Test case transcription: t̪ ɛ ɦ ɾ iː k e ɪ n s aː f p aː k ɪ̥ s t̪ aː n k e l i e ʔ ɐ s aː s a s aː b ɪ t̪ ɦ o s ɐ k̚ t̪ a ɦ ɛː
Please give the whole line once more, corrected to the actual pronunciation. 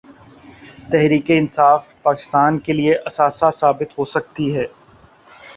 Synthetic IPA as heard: t̪ ɛ ɦ ɾ iː k e ɪ n s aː f p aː k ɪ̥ s t̪ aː n k e l i e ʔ ɐ s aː s a s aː b ɪ t̪ ɦ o s ɐ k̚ t̪ i ɦ ɛː